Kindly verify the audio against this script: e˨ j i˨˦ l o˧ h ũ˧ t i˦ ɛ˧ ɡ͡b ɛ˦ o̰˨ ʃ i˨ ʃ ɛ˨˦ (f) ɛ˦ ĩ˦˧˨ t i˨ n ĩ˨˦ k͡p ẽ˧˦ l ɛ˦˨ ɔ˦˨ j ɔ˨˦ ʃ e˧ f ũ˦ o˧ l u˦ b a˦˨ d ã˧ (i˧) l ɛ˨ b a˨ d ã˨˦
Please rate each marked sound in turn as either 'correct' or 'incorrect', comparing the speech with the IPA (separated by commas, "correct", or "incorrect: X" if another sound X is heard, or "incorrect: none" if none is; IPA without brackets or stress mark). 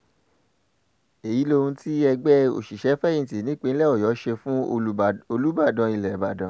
correct, correct